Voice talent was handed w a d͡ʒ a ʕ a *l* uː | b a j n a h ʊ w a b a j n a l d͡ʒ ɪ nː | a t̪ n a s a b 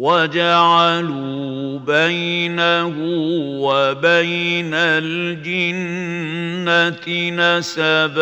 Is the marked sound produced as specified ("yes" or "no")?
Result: yes